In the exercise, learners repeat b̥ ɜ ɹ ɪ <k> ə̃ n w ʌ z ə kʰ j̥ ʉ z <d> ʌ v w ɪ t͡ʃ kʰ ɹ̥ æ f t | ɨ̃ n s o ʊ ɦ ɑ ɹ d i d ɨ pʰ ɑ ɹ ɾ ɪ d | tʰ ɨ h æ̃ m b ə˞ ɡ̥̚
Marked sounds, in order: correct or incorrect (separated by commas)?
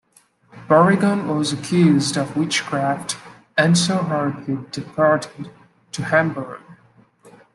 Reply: incorrect, correct